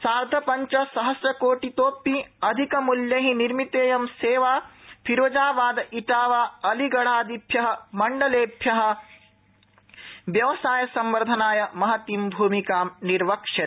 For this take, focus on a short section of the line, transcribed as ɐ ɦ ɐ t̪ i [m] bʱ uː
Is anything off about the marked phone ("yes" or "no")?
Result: no